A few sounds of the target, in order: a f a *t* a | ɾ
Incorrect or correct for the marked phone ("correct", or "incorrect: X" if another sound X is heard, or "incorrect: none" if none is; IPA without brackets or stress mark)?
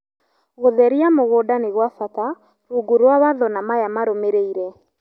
correct